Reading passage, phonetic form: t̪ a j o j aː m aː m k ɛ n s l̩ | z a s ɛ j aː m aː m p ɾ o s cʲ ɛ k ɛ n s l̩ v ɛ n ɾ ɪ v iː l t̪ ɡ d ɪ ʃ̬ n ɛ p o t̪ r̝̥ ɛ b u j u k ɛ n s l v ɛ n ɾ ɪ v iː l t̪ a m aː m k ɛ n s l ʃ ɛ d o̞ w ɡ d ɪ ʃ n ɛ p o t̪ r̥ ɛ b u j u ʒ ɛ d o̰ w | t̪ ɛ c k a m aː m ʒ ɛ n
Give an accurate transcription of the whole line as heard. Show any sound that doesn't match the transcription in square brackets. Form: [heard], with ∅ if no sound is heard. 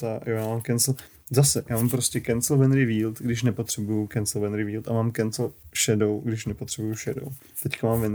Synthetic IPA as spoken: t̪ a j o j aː m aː m k ɛ n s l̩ | z a s ɛ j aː m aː m p ɾ o s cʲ ɛ k ɛ n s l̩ v ɛ n ɾ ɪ v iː l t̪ ɡ d ɪ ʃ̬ n ɛ p o t̪ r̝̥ ɛ b u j u k ɛ n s l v ɛ n ɾ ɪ v iː l t̪ a m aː m k ɛ n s l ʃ ɛ d o̞ w ɡ d ɪ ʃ n ɛ p o t̪ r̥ ɛ b u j u [ʃ] ɛ d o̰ w | t̪ ɛ c k a m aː m [v] ɛ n